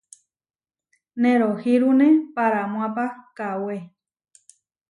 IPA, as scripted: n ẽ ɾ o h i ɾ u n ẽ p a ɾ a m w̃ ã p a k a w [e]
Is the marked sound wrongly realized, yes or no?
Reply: no